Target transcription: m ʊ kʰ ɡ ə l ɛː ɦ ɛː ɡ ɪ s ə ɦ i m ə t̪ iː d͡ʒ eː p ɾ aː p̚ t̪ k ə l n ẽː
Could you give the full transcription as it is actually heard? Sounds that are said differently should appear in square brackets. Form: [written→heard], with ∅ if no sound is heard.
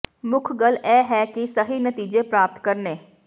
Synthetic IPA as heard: m ʊ kʰ ɡ ə l ɛː ɦ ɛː [ɡ→k] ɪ s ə ɦ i [m→n] ə t̪ iː d͡ʒ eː p ɾ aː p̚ t̪ k ə [l→ɾ] n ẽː